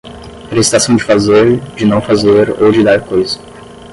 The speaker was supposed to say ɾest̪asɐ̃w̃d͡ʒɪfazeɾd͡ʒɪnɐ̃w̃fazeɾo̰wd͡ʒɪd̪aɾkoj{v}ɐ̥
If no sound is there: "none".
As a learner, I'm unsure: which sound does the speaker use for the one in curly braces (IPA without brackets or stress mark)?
z